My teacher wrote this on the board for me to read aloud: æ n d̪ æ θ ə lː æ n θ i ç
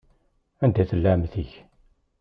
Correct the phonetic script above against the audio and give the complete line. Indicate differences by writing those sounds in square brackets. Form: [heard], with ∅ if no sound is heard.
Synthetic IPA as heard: æ n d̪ æ θ ə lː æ [m] θ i ç